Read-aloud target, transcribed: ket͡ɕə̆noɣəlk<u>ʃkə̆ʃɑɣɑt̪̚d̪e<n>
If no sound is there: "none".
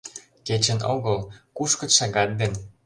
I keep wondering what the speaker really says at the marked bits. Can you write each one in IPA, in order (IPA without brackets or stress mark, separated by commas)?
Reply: u, n